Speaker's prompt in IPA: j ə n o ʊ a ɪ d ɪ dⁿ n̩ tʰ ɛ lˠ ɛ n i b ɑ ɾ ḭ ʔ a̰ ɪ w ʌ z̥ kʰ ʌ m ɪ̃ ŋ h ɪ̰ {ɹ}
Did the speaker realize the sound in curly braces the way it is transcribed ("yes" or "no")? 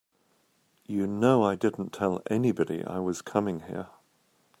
yes